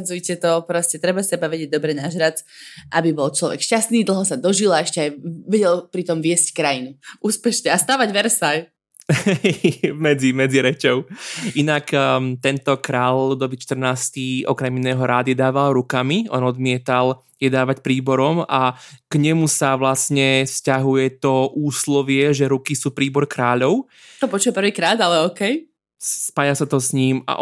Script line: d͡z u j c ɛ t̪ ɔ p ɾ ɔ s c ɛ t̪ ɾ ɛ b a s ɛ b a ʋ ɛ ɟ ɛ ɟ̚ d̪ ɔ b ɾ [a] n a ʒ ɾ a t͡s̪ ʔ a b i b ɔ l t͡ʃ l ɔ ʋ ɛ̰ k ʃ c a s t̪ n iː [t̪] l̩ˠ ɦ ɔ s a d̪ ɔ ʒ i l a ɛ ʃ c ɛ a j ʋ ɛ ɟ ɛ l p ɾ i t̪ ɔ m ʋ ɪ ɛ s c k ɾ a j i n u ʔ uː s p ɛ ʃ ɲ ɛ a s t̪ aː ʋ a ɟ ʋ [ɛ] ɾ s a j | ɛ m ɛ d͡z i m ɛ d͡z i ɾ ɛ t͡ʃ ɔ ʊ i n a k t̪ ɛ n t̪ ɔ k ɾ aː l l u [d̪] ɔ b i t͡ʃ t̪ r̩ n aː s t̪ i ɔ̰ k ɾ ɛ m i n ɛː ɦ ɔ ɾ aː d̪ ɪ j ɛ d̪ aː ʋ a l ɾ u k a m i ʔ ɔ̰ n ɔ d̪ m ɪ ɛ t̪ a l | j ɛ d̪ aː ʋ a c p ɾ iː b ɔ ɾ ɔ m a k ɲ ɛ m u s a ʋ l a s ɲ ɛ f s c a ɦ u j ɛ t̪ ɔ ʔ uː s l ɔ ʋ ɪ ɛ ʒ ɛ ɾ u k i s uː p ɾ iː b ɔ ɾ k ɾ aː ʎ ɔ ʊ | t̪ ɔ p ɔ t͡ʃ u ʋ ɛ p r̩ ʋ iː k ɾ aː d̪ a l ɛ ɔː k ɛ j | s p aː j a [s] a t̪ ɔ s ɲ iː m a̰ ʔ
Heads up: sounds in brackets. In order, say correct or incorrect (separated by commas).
incorrect, incorrect, correct, correct, correct